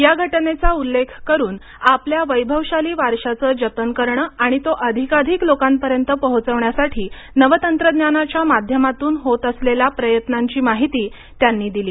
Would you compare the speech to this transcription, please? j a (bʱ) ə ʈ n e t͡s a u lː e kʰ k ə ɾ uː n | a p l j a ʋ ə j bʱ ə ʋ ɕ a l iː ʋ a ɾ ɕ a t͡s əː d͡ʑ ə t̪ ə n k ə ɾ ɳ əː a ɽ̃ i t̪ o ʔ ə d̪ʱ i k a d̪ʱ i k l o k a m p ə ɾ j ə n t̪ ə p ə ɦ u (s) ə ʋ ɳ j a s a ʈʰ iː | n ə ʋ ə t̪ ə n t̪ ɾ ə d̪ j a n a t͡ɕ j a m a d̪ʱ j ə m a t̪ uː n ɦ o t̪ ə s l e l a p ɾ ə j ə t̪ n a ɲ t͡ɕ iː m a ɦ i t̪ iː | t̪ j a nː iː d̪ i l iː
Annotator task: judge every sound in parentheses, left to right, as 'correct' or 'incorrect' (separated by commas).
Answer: incorrect, incorrect